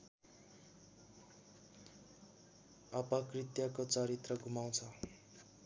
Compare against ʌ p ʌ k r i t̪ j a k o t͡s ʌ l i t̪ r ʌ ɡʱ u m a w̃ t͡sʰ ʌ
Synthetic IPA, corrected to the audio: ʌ p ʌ k r i t̪ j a k o t͡s ʌ ɾ i t̪ r ʌ ɡʱ u m a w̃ t͡sʰ ʌ